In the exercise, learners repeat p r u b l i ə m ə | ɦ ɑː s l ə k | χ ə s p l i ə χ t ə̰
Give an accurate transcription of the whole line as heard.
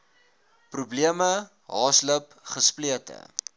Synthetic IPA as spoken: p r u b l i ə m ə | ɦ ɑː s l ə p | χ ə s p l i ə t ə̰